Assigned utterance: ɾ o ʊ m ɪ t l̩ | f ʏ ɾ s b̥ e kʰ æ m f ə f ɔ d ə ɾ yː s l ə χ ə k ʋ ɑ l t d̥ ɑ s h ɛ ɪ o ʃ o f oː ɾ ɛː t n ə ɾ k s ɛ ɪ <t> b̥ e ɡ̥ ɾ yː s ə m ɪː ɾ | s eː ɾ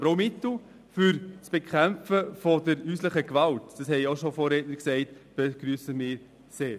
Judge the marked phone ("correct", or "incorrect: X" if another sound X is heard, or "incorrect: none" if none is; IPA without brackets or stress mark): correct